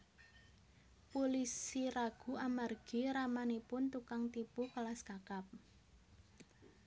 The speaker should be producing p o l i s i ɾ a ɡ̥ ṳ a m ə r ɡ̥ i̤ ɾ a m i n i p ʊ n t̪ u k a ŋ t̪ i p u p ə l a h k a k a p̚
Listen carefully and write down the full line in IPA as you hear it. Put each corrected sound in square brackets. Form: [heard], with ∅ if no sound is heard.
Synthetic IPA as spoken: p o l i s i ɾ a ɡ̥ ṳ a m [a] r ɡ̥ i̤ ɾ a m [a] n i p ʊ n t̪ u k a ŋ t̪ i p u [k] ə l a [s] k a k a p̚